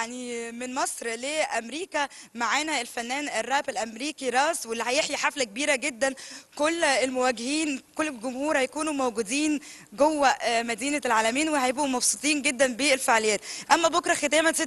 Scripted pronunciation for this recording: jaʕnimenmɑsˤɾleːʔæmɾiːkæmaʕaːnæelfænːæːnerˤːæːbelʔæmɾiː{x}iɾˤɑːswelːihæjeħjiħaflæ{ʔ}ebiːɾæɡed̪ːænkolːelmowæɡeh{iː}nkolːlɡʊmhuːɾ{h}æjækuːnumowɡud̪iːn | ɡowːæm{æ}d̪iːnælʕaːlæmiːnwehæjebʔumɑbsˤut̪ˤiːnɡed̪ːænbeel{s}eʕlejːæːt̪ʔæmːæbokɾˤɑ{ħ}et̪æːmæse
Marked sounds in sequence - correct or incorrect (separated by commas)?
incorrect, incorrect, correct, correct, correct, incorrect, incorrect